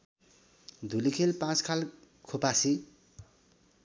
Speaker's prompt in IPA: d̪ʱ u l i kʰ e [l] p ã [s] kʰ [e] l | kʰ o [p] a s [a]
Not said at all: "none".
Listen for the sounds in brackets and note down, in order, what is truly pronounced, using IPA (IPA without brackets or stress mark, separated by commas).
l, t͡s, a, p, i